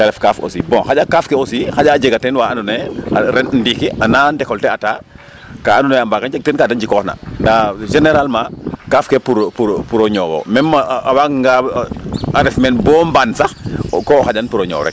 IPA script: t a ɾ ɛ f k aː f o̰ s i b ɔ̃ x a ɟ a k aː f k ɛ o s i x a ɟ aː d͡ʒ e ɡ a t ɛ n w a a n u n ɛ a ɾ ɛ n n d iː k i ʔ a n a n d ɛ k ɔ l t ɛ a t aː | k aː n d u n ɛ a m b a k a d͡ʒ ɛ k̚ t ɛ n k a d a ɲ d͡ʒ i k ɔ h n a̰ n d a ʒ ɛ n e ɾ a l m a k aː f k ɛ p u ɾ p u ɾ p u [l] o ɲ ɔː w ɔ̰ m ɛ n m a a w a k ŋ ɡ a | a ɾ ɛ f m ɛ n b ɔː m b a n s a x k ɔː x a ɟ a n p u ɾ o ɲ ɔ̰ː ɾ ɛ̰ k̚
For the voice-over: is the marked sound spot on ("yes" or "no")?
no